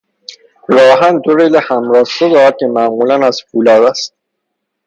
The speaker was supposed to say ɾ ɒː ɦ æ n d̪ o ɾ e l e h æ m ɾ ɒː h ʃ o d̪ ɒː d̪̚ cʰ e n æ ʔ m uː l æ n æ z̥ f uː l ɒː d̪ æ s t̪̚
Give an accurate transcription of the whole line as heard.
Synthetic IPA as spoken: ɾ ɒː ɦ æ n d̪ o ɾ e l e h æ m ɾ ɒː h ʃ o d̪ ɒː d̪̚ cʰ e m æ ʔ m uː l æ n æ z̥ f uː l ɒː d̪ æ s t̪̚

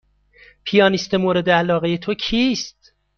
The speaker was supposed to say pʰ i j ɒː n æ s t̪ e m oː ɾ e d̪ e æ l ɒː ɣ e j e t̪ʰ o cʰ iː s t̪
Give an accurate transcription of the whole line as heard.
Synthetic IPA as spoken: pʰ i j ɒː n i s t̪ e m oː ɾ e d̪ e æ l ɒː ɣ e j e t̪ʰ o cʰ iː s t̪

